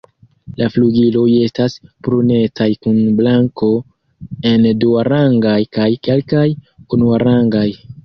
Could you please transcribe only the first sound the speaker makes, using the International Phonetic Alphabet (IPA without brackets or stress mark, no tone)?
l